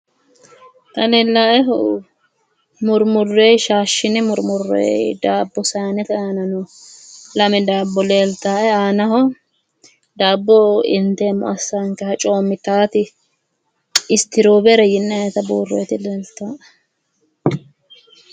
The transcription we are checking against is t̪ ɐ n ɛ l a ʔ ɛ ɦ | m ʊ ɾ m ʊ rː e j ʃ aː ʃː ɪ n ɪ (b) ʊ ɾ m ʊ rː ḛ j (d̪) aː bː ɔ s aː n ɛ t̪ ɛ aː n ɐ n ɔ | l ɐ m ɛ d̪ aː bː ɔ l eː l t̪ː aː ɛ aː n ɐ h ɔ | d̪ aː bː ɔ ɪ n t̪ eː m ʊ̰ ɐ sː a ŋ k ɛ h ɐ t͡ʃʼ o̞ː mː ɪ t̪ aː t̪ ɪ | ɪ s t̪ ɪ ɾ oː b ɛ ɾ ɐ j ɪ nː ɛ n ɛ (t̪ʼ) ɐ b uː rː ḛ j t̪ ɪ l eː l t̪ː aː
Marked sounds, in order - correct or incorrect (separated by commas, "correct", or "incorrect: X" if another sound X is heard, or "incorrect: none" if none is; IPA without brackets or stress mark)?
incorrect: m, correct, incorrect: t̪